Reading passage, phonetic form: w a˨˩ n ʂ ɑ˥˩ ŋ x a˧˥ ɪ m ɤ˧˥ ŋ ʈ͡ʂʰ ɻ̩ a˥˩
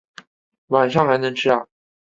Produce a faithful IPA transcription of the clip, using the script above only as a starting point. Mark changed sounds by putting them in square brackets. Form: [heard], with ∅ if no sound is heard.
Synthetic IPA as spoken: w a˨˩ n ʂ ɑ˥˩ ŋ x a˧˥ ɪ [n] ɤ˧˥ ŋ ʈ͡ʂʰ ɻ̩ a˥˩